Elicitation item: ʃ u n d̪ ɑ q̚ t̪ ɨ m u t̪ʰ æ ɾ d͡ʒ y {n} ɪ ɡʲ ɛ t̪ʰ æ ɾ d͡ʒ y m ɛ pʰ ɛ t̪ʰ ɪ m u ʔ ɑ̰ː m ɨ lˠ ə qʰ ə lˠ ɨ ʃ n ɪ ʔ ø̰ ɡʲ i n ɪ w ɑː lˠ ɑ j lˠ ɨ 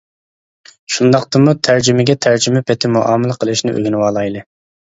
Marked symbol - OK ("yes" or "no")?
no